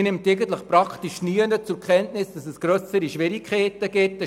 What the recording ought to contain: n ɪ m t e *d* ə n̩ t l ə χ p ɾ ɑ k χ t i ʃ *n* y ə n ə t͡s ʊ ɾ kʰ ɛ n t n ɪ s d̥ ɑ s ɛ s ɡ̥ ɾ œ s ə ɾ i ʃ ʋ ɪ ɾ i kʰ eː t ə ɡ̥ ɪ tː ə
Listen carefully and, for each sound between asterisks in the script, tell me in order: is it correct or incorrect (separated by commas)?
incorrect, correct